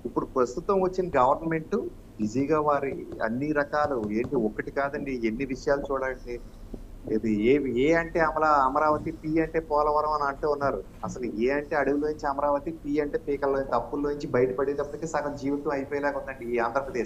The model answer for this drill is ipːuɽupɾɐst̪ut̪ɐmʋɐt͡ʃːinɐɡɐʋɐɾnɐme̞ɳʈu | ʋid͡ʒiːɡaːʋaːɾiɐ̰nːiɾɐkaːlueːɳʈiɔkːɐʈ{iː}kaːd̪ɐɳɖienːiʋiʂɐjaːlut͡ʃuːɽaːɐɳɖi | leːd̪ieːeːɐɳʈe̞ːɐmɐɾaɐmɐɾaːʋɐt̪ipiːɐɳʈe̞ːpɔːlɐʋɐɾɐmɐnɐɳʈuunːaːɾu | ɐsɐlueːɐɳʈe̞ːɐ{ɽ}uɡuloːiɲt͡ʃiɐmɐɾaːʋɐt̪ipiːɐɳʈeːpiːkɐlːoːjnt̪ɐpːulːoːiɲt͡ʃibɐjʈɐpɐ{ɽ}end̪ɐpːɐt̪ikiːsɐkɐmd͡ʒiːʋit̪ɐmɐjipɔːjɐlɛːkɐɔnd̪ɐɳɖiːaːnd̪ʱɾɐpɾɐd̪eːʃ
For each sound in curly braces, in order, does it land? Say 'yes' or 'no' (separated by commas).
no, yes, yes